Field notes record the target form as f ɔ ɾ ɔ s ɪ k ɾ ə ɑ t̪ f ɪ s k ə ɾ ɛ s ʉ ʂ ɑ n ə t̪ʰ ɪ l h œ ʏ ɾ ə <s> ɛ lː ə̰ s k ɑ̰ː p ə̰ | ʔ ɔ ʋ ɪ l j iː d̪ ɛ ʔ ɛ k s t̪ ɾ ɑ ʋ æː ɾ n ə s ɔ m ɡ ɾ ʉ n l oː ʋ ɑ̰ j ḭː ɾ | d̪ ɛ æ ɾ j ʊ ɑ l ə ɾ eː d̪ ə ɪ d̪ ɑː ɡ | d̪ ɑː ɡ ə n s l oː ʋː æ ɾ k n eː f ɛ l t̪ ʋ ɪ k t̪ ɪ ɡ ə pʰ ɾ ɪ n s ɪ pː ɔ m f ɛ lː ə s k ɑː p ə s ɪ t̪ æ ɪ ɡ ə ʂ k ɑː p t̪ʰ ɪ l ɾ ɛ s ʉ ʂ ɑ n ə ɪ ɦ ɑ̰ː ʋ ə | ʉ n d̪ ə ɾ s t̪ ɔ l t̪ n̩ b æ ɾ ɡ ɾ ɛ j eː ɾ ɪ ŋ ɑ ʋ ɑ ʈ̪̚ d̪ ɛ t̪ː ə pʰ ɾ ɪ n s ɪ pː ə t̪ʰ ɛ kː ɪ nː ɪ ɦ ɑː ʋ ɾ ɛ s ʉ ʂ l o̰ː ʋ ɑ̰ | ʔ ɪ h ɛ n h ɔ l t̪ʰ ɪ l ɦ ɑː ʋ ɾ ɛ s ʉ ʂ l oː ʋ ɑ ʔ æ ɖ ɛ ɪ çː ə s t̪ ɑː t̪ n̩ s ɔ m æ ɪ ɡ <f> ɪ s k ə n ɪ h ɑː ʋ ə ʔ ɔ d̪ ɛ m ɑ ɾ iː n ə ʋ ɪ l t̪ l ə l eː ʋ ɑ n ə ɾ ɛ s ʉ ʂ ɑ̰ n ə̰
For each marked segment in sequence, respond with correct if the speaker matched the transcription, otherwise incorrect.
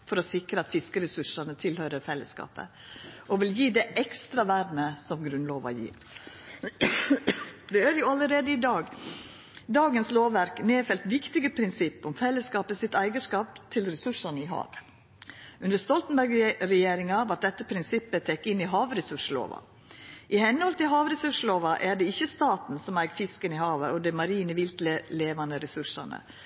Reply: incorrect, correct

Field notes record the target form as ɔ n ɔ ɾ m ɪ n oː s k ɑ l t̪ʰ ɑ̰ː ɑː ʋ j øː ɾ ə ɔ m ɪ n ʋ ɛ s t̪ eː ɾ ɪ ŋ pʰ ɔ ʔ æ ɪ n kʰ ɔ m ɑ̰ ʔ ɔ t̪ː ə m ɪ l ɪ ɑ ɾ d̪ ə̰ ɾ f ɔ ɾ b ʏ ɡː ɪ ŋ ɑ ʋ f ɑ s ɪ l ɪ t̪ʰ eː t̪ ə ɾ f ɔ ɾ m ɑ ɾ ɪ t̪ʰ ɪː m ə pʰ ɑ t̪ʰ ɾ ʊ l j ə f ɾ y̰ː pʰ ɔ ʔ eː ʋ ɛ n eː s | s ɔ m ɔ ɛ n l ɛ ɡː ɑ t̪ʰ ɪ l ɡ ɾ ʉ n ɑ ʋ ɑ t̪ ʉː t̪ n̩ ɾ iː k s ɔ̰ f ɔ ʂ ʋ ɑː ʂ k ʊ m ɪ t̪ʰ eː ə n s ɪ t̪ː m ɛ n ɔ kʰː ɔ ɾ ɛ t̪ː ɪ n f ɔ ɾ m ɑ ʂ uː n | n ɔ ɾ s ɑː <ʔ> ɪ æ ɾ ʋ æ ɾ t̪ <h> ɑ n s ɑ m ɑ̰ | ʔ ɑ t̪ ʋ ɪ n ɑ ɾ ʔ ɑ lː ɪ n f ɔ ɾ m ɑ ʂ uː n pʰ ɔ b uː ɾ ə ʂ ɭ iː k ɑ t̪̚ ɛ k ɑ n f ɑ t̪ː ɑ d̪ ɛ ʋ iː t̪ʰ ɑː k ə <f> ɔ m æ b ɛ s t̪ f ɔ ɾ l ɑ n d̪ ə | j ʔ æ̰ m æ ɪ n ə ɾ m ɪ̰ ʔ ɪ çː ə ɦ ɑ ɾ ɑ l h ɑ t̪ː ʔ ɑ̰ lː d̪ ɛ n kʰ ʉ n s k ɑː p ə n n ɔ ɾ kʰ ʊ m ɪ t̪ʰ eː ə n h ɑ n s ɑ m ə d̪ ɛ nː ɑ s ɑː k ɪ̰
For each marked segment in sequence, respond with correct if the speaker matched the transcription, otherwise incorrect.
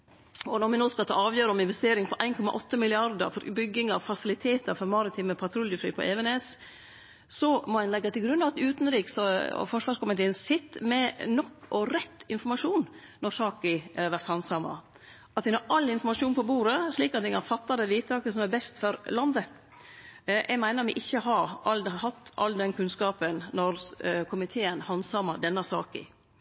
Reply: incorrect, correct, incorrect

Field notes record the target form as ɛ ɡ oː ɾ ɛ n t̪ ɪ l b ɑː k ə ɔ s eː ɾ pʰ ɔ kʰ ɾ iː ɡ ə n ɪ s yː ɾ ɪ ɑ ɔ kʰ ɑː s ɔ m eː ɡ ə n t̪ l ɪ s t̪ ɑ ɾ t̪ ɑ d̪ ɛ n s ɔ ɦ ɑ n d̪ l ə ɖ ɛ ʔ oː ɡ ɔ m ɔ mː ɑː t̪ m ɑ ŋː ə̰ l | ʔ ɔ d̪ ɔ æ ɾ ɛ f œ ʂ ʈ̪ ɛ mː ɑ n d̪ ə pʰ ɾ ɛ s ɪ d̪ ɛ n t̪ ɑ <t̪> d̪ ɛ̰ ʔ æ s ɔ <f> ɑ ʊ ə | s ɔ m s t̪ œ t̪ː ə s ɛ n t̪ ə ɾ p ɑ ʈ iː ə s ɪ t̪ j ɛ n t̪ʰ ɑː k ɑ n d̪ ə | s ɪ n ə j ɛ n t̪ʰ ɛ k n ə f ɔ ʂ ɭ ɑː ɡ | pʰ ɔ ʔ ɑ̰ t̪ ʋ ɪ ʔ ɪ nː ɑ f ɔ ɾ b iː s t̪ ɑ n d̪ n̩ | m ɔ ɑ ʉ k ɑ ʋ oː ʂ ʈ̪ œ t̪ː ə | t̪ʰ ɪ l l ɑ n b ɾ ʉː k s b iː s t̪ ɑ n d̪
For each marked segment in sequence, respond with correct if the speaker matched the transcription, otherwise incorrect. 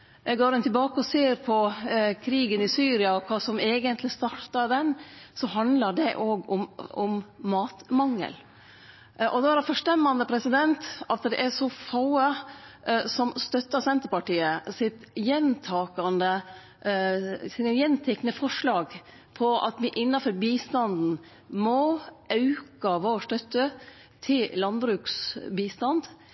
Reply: correct, correct

